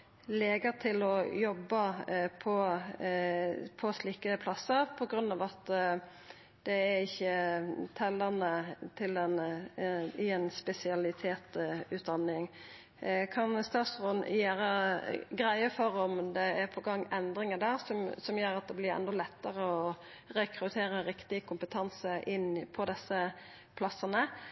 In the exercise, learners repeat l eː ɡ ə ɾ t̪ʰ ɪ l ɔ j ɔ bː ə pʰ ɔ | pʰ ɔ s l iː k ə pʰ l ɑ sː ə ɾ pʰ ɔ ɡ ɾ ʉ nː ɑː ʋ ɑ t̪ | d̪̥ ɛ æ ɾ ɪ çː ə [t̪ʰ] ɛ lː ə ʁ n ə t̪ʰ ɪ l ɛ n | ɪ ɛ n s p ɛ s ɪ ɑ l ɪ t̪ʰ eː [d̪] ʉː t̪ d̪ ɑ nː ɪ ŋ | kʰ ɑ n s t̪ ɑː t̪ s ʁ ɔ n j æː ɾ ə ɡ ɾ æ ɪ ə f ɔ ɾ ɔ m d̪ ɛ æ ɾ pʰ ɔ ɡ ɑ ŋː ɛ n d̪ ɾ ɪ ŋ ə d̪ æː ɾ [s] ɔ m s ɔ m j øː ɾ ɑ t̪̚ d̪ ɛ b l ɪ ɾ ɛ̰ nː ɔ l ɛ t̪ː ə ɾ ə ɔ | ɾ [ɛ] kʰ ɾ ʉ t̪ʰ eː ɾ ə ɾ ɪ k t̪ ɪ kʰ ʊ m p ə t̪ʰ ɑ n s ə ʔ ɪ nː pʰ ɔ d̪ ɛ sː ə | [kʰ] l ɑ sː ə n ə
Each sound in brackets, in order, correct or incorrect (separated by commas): correct, incorrect, correct, correct, incorrect